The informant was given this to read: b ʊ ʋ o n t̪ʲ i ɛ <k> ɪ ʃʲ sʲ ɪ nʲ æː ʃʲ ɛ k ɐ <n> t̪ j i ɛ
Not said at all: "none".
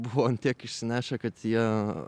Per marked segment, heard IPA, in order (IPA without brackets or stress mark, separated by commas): k, none